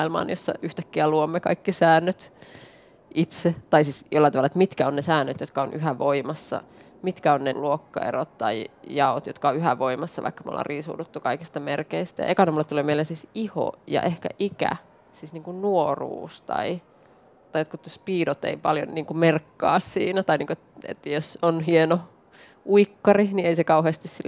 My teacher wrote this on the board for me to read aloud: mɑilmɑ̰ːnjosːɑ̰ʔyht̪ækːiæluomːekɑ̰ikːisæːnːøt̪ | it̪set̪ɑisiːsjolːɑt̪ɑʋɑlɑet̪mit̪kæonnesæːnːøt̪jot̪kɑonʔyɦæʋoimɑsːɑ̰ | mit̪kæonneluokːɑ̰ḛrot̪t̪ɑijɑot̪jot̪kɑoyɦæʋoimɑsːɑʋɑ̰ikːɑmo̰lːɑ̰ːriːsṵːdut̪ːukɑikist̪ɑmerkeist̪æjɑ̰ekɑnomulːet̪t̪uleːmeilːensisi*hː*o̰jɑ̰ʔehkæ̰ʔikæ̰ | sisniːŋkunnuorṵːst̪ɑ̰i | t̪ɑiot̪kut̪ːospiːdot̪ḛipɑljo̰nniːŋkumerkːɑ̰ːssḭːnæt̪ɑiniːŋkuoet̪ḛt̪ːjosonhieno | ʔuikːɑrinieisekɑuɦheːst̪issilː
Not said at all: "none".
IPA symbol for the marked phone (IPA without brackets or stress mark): h